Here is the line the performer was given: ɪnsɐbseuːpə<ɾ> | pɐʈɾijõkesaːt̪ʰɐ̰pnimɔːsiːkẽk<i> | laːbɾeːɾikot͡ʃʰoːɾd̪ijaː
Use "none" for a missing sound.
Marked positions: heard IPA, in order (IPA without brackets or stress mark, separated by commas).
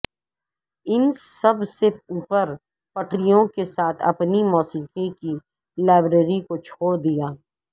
ɾ, i